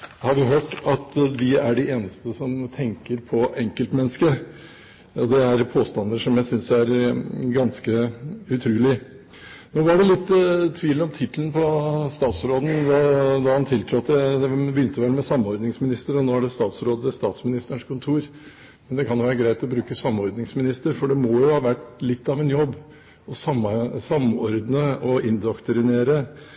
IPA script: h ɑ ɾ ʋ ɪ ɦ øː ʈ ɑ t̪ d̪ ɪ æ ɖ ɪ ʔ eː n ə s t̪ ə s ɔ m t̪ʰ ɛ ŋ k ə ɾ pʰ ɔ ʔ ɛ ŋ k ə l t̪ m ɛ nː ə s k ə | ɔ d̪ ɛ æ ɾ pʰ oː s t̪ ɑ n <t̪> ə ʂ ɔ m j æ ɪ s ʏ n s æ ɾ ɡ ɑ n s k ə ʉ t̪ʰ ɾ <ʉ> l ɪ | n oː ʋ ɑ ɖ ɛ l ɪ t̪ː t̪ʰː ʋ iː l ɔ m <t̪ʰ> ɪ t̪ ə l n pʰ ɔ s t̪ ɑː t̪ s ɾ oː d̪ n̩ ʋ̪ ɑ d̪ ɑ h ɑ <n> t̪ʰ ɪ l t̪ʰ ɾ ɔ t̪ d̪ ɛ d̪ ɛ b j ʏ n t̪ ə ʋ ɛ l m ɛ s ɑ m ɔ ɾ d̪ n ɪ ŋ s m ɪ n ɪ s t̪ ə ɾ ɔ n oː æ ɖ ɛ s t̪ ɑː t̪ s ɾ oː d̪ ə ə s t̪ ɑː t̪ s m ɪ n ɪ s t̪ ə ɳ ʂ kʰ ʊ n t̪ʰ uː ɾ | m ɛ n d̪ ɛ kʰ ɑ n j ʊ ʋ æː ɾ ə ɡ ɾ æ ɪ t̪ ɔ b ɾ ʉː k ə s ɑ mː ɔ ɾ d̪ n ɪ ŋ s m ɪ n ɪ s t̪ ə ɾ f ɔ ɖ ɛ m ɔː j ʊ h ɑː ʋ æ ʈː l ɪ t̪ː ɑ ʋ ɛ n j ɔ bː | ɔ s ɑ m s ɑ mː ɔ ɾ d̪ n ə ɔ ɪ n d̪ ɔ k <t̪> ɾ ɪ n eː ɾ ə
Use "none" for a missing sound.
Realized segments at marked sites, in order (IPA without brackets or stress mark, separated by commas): d̪, ʉː, t̪ʰ, n, t̪